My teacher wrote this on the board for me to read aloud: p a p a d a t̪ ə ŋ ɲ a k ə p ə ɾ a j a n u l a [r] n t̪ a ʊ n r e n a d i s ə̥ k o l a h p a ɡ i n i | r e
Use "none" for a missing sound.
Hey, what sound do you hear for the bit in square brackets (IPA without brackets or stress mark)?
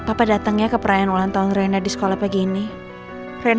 none